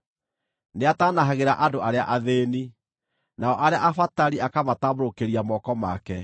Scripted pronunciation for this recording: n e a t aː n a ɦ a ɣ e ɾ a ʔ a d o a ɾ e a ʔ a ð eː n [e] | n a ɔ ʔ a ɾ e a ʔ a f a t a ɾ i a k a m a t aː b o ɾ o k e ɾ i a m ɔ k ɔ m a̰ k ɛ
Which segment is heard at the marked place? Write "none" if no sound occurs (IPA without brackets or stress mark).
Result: i